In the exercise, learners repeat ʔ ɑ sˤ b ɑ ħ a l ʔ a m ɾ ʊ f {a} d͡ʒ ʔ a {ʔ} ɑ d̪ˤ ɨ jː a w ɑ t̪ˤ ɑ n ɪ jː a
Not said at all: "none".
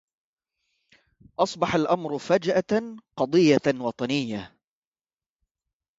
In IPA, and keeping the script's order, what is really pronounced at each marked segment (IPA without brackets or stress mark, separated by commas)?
a, q